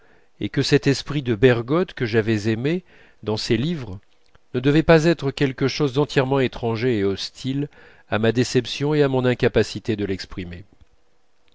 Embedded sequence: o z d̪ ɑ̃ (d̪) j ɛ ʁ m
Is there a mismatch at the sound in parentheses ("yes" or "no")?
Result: yes